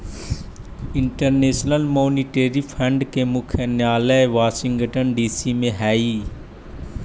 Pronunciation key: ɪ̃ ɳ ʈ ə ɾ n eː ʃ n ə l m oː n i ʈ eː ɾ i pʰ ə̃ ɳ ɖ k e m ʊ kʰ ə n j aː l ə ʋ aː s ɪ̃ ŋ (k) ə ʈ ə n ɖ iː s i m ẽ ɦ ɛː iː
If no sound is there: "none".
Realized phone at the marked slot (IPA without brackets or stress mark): ɡ